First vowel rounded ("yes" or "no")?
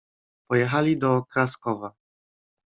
yes